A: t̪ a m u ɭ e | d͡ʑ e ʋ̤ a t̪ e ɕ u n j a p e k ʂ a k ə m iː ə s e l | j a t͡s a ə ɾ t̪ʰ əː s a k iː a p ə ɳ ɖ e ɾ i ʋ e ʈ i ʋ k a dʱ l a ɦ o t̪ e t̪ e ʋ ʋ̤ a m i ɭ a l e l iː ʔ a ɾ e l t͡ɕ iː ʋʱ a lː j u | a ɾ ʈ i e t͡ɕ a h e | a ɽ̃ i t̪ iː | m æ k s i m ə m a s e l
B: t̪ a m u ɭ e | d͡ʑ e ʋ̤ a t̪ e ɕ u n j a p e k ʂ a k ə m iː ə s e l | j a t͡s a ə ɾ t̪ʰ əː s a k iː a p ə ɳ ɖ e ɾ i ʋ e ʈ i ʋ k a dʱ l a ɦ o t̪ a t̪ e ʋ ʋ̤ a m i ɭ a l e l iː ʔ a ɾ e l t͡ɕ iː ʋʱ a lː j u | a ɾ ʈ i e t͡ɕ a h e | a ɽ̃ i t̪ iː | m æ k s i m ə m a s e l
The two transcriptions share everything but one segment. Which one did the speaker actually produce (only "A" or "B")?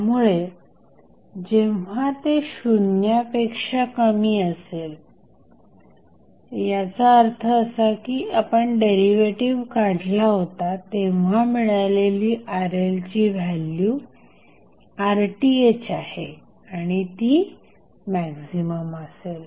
B